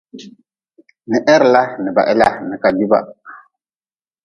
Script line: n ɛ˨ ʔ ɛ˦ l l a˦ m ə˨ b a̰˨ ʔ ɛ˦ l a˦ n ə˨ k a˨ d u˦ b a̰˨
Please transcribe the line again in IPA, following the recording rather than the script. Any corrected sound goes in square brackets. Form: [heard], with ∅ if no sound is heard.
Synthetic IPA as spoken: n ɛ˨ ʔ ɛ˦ [ɾ] l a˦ [n] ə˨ b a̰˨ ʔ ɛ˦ l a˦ n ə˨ k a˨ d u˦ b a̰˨